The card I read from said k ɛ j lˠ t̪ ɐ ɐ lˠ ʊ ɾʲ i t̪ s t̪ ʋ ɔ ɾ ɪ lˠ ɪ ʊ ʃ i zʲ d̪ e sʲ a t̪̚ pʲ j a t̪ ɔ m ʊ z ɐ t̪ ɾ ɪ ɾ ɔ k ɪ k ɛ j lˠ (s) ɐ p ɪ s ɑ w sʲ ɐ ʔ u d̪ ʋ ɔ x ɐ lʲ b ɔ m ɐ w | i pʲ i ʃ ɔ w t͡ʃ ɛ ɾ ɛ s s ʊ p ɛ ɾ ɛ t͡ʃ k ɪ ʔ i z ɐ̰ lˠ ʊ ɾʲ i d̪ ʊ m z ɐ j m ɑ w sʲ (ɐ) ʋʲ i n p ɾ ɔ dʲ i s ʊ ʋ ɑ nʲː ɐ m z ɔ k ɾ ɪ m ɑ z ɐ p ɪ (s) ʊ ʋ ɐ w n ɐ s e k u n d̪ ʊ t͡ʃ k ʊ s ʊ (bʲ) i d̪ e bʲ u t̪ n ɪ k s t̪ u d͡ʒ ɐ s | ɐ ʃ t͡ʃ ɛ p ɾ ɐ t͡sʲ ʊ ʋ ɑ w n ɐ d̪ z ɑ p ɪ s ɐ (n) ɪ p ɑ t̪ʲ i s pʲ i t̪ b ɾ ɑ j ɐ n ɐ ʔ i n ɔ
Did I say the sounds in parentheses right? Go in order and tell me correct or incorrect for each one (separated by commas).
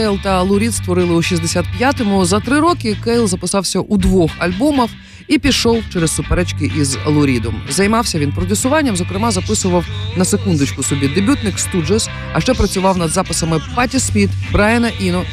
incorrect, correct, correct, correct, incorrect